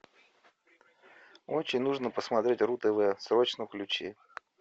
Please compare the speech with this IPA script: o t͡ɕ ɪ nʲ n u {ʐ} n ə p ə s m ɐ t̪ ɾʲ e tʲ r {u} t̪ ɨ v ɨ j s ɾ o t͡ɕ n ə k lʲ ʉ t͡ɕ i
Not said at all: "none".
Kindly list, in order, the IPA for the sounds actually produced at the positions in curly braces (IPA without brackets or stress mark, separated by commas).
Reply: ʐ, u